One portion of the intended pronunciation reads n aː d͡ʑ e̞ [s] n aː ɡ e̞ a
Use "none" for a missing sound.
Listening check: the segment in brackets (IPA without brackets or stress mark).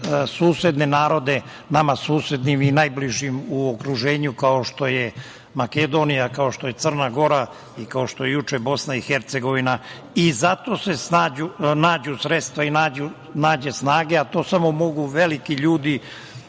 s